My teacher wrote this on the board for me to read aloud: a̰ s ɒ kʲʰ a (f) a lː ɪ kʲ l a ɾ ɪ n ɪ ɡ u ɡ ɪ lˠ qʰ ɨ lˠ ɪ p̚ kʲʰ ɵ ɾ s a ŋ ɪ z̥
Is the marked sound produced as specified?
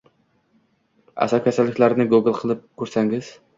no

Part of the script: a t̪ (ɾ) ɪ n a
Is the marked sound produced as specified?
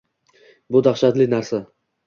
no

